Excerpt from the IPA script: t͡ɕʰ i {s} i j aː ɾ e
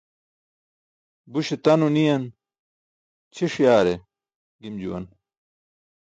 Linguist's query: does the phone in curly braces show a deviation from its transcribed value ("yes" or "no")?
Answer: yes